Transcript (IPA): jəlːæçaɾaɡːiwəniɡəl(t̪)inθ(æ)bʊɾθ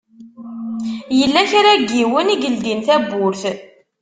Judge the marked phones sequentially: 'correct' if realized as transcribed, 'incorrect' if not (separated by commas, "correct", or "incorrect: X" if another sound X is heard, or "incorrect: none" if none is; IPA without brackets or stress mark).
incorrect: d̪, correct